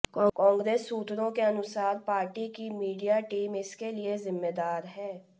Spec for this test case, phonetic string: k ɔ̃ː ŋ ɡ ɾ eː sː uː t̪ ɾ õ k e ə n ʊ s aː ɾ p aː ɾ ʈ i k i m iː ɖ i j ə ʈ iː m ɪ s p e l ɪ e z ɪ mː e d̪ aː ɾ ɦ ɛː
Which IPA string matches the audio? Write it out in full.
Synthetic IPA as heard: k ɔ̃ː ŋ ɡ ɾ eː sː uː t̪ ɾ õ k e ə n ʊ s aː ɾ p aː ɾ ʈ i k i m iː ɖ i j a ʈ iː m ɪ s k e l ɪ e z ɪ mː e d̪ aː ɾ ɦ ɛː